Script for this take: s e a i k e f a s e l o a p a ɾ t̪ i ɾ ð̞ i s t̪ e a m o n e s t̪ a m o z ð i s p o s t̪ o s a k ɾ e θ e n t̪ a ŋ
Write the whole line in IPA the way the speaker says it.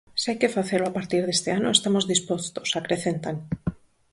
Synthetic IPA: s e a j k e f a θ e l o a p a ɾ t̪ i ɾ ð̞ e s t̪ e a n o e s t̪ a m o z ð i s p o s t̪ o s a k ɾ e θ e n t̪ a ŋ